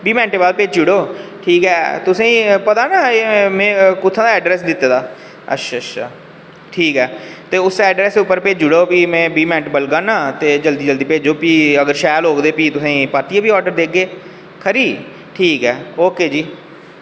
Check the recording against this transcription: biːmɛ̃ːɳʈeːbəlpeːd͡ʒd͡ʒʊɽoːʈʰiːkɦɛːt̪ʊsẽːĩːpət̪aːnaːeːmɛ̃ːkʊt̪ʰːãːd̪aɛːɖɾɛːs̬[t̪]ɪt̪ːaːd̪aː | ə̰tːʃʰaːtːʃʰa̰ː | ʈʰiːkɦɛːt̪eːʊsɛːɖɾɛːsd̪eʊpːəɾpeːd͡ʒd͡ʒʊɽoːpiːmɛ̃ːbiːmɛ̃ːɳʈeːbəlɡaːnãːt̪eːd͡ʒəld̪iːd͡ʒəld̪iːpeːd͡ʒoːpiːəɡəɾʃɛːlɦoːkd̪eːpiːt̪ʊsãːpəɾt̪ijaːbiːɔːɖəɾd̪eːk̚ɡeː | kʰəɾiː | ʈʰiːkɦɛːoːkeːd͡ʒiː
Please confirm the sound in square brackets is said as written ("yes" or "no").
no